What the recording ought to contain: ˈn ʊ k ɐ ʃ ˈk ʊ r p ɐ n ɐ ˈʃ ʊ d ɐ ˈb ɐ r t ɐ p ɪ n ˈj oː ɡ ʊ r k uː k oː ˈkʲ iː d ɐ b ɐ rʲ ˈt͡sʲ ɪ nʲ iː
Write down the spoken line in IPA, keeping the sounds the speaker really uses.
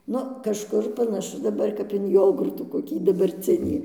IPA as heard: ˈn ʊ k ɐ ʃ ˈk ʊ r p ɐ n ɐ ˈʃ ʊ d ɐ ˈb ɐ r k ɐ p ɪ n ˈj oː ɡ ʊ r t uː k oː ˈkʲ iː d ɐ b ɐ rʲ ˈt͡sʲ ɪ nʲ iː